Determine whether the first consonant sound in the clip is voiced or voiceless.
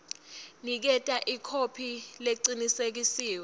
voiced